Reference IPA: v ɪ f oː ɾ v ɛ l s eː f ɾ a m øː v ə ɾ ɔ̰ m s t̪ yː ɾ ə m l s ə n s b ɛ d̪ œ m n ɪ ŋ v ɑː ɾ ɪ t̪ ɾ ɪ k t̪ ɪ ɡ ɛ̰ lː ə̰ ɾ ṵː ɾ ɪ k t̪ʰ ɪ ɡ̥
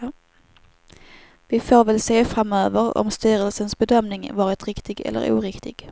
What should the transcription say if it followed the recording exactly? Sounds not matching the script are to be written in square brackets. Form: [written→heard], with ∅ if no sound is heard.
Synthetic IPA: v ɪ f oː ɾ v ɛ l s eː f ɾ a m øː v ə ɾ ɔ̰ m s t̪ yː ɾ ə [m→∅] l s ə n s b ɛ d̪ œ m n ɪ ŋ v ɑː ɾ ɪ t̪ ɾ ɪ k t̪ ɪ ɡ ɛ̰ lː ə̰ ɾ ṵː ɾ ɪ k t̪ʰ ɪ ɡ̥

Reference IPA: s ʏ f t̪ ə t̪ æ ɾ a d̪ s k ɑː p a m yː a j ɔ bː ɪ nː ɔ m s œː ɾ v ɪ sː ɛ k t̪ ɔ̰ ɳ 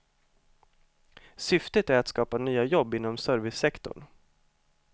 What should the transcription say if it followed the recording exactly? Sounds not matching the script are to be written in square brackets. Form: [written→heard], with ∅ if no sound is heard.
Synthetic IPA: s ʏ f t̪ ə t̪ æ ɾ a [d̪→t̪] s k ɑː p a [m→n] yː a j ɔ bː ɪ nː ɔ m s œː ɾ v ɪ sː ɛ k t̪ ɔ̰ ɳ

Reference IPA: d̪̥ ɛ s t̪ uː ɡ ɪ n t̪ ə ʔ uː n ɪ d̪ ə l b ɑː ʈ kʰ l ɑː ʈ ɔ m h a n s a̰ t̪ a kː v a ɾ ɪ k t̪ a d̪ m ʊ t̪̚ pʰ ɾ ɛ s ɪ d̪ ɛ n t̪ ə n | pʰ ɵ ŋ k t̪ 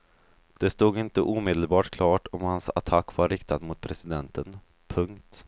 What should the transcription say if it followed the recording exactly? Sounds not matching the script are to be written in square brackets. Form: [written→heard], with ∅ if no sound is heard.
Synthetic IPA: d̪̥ ɛ s t̪ uː ɡ ɪ n t̪ ə ʔ uː [n→m] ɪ d̪ ə l b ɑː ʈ kʰ l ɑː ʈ ɔ m h a n s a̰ [t̪→t̪ʰ] a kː v a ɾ ɪ k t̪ a d̪ m ʊ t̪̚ pʰ ɾ ɛ s ɪ d̪ ɛ n t̪ ə n | pʰ ɵ ŋ k t̪

